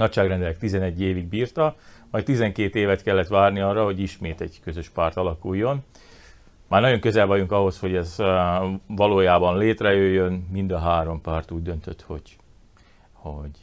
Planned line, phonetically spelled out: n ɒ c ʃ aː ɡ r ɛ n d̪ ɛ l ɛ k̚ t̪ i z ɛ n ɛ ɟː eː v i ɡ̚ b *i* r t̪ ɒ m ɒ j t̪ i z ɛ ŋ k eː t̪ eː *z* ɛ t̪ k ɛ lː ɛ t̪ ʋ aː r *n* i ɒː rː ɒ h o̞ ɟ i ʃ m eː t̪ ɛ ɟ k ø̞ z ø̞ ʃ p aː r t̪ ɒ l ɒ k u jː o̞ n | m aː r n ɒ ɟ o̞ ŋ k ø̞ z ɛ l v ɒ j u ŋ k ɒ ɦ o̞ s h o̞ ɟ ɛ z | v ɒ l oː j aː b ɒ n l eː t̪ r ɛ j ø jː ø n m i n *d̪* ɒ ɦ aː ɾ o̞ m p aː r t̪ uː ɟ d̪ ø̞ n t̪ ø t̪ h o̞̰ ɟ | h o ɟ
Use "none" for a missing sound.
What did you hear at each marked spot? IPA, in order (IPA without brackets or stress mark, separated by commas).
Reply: iː, v, n, d̪